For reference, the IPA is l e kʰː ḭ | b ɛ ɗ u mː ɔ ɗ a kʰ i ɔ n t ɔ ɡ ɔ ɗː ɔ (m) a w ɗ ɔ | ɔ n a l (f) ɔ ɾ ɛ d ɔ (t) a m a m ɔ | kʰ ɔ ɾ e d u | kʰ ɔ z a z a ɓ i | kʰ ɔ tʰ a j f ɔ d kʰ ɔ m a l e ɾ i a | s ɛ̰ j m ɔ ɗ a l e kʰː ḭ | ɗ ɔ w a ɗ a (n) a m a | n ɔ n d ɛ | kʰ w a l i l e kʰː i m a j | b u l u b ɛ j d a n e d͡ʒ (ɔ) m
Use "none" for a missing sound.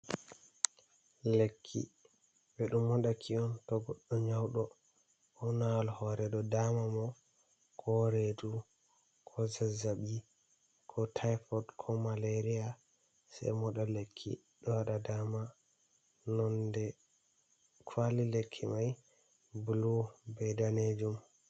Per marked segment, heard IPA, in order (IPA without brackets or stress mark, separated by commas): ɲ, h, d, d, u